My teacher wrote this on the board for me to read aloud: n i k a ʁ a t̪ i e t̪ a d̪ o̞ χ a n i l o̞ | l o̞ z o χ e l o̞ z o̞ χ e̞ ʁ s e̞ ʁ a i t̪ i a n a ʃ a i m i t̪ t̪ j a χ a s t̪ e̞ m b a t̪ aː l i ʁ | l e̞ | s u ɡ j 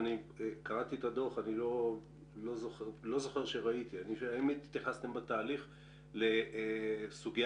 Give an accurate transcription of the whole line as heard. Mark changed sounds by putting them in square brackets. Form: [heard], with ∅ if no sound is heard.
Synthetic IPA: n i k a ʁ a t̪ i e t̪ a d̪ o̞ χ a n i l o̞ | l o̞ z o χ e l o̞ z o̞ χ e̞ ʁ [ʃ] e̞ ʁ a i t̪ i a n [i] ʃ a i m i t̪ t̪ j a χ a s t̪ e̞ m b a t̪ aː l i [χ] | l e̞ | s u ɡ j